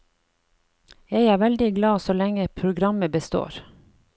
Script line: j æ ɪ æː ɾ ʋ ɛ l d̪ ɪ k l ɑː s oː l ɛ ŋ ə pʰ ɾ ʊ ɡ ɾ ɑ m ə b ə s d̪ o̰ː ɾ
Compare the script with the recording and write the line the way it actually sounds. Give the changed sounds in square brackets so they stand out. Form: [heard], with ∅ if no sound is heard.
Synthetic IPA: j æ ɪ æː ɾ ʋ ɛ l d̪ ɪ [ɡ] l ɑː s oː l ɛ ŋ ə pʰ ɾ ʊ ɡ ɾ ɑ m ə b ə s [t̪] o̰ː ɾ

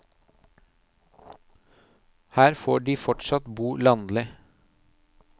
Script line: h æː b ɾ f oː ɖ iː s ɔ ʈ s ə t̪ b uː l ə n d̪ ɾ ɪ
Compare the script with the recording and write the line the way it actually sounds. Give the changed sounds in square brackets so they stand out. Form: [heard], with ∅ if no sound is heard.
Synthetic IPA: h æː [∅] ɾ f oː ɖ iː [f] ɔ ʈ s [ɑ] t̪ b uː l [ɑ] n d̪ [l] ɪ

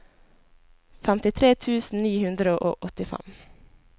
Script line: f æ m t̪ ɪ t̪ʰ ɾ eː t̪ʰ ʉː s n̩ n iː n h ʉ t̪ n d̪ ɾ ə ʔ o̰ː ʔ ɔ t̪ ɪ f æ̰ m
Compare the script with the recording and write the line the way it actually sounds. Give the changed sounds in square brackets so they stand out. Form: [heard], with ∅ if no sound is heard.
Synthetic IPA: f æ m t̪ ɪ t̪ʰ ɾ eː t̪ʰ ʉː s n̩ n iː [∅] h ʉ [∅] n d̪ ɾ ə ʔ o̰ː ʔ ɔ t̪ ɪ f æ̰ m

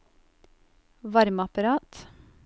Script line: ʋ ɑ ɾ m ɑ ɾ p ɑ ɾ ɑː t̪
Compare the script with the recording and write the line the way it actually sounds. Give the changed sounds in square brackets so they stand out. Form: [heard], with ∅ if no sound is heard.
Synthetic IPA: ʋ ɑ ɾ m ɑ [∅] p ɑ ɾ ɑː t̪

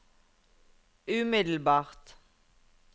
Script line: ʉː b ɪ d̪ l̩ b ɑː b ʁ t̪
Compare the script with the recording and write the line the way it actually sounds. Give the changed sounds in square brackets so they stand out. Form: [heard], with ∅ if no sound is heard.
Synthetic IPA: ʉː [m] ɪ d̪ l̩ b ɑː [∅] ʁ t̪

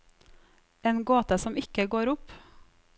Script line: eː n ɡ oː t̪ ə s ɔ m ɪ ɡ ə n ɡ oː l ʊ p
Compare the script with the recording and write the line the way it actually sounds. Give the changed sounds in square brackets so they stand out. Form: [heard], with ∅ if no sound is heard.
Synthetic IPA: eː n ɡ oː t̪ ə s ɔ m ɪ [k] ə [∅] ɡ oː [ɾ] ʊ p

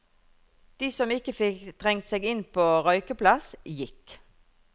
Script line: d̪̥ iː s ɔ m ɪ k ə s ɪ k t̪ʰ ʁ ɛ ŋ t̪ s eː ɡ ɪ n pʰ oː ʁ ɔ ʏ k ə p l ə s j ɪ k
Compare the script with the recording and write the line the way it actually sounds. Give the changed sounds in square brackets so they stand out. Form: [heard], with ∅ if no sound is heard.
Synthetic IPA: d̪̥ iː s ɔ m ɪ k ə [f] ɪ k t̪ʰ ʁ ɛ ŋ t̪ s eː ɡ ɪ n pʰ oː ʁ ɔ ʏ k ə p l [ɑ] s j ɪ k

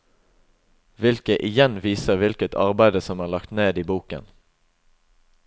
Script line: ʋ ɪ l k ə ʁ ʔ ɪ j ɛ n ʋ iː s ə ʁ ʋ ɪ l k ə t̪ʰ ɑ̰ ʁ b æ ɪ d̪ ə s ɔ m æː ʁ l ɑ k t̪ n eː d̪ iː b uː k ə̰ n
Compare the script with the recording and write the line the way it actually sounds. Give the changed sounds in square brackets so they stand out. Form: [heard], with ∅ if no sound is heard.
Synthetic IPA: ʋ ɪ l k ə [∅] ʔ ɪ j ɛ n ʋ iː s ə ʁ ʋ ɪ l k ə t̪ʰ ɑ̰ ʁ b æ ɪ d̪ ə s ɔ m æː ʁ l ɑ k t̪ n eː d̪ iː b uː k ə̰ n

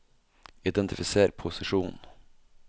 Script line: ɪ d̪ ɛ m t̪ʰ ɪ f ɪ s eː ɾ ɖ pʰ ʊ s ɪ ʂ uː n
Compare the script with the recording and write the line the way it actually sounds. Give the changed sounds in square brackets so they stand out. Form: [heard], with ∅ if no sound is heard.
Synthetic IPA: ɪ d̪ ɛ [n] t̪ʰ ɪ f ɪ s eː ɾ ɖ pʰ ʊ s ɪ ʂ uː n

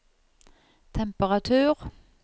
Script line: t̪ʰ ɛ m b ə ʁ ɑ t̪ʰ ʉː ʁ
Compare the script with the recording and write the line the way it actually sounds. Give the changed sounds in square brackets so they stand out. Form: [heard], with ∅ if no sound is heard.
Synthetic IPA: t̪ʰ ɛ m [p] ə ʁ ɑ t̪ʰ ʉː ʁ

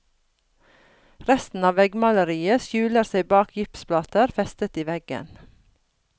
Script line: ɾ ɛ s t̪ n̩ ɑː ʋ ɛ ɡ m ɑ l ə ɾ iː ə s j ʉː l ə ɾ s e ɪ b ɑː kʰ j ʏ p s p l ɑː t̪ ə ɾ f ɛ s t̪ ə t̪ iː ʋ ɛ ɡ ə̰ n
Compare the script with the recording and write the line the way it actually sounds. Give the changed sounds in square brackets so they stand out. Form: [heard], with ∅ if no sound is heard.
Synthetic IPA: ɾ ɛ s t̪ n̩ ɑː ʋ ɛ ɡ m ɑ l ə ɾ iː ə s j ʉː l ə ɾ s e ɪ b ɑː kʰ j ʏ p s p l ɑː t̪ ə ɾ f ɛ s t̪ ə t̪ iː ʋ ɛ ɡ ə̰ n

